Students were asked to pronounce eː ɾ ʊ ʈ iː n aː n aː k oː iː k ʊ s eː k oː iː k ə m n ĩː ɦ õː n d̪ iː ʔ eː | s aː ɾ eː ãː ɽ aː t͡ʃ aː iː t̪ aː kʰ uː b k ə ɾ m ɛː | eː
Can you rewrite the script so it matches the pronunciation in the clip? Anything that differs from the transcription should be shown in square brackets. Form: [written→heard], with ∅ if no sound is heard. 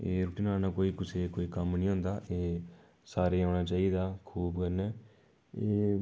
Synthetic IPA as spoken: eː ɾ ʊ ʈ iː n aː n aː k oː iː k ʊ s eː k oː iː k ə m n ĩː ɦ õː n d̪ [iː→aː] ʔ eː | s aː ɾ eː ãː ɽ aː t͡ʃ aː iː [t̪→d̪] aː kʰ uː b k ə ɾ [m→n] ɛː | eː